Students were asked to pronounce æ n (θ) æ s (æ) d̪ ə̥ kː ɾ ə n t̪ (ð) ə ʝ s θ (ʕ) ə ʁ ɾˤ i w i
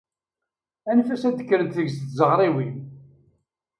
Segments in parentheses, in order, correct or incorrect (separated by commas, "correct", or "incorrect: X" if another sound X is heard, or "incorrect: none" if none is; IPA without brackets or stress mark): incorrect: f, correct, incorrect: θ, incorrect: z